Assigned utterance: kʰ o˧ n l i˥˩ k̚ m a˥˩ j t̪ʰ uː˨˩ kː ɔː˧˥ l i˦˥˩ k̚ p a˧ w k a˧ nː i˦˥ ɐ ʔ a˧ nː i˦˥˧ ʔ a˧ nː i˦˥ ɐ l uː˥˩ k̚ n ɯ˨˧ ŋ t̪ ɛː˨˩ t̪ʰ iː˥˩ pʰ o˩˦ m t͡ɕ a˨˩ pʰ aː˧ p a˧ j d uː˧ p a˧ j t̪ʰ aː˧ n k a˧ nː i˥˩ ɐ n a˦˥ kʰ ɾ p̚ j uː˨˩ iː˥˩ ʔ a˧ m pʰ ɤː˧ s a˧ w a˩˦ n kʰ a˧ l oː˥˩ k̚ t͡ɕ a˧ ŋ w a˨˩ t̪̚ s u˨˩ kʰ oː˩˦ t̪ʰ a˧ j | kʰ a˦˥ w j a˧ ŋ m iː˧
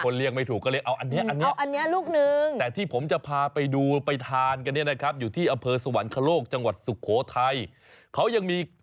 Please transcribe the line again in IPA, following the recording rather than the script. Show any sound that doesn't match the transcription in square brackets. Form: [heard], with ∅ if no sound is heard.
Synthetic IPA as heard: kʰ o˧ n l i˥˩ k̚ m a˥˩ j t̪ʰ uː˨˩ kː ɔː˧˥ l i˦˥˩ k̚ [ʔ] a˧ w [ʔ] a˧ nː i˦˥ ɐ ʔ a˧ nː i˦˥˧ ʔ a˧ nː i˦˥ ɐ l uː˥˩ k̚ n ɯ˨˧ ŋ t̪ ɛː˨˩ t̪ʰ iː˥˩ pʰ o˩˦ m t͡ɕ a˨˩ pʰ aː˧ p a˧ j d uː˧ p a˧ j t̪ʰ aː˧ n k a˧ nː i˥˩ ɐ n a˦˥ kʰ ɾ p̚ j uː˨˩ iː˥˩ ʔ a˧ m pʰ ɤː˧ s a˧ w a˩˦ n kʰ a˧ l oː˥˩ k̚ t͡ɕ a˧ ŋ w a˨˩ t̪̚ s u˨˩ kʰ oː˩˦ t̪ʰ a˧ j | kʰ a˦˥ w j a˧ ŋ m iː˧